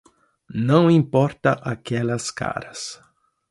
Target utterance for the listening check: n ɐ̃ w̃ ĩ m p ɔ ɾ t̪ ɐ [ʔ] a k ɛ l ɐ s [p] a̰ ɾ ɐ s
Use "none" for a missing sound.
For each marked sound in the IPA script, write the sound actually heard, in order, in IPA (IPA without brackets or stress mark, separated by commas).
ʔ, k